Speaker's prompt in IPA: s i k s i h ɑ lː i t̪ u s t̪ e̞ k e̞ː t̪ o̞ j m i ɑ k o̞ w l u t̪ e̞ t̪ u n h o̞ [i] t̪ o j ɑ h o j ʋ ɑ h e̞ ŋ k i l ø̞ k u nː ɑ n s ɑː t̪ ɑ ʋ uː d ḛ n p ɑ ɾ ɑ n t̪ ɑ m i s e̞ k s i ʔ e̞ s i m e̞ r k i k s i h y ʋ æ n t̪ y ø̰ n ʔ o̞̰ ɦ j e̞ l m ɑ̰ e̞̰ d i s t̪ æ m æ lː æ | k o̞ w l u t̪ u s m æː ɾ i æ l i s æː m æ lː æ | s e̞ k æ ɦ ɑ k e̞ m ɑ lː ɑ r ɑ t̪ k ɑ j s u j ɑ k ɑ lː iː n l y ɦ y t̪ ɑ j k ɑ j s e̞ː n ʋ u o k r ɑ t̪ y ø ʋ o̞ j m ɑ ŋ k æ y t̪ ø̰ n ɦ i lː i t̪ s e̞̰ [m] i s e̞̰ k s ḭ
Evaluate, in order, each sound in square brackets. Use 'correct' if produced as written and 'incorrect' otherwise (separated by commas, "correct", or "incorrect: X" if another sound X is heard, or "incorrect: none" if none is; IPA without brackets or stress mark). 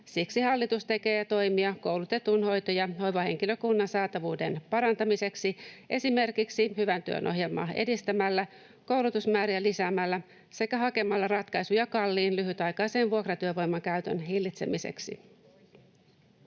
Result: incorrect: j, correct